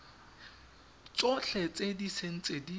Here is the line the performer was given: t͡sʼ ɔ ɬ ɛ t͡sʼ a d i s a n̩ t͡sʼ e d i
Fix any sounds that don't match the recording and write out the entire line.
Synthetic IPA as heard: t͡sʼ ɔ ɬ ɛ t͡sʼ e d i s e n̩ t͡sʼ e d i